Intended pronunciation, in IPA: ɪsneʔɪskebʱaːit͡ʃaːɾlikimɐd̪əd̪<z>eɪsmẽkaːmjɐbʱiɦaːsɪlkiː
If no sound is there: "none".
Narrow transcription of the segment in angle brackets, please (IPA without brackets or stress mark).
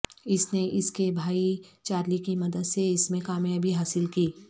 s